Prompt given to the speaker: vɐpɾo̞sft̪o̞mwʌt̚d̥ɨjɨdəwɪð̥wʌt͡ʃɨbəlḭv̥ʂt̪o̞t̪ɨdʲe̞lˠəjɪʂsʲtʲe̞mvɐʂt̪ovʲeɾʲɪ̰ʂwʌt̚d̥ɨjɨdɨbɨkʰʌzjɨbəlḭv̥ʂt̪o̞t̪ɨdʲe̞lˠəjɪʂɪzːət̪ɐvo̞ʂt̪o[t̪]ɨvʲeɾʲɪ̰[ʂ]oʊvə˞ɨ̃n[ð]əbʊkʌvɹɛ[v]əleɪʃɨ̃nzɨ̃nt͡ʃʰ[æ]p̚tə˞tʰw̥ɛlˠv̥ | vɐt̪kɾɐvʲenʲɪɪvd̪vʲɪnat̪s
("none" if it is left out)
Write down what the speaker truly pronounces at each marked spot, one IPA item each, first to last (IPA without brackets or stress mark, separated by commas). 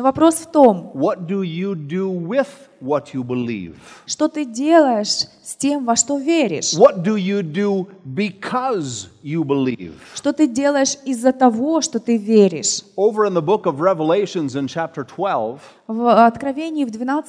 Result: t̪, ʂ, ð, v, æ